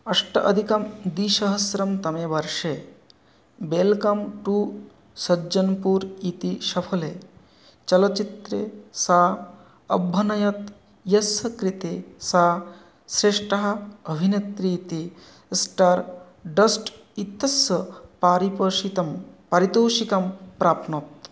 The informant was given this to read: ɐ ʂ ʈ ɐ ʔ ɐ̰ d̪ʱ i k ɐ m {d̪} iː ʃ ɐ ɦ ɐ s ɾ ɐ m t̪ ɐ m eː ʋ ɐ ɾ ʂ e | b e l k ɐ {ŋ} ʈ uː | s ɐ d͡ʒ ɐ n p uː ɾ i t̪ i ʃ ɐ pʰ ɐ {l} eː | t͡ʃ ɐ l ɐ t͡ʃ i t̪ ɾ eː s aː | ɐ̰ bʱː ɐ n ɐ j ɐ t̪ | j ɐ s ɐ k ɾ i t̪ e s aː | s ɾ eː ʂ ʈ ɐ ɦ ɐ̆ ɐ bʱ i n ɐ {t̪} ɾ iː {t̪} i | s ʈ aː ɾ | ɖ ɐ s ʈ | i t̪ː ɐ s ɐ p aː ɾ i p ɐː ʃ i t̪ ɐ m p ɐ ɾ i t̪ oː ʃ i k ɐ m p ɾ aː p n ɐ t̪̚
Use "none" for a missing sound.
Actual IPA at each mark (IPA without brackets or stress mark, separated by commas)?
d̪, m, l, t̪, t̪